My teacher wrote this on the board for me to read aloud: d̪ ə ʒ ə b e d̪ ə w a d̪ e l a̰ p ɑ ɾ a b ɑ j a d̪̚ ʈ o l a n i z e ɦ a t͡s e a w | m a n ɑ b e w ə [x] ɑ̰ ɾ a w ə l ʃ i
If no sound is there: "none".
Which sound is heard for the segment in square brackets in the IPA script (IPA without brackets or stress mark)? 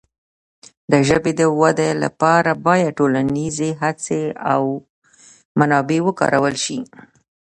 k